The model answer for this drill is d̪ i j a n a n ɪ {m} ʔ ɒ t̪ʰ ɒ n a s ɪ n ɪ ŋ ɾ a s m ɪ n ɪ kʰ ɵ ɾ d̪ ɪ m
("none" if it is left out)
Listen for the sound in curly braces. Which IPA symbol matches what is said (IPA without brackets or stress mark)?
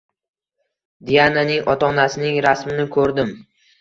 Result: ŋ